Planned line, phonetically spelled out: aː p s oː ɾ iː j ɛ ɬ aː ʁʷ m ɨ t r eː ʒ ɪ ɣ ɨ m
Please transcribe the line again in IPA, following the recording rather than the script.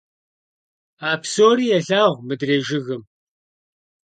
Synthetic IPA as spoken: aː p s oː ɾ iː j ɛ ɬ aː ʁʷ m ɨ d r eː ʒ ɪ ɣ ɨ m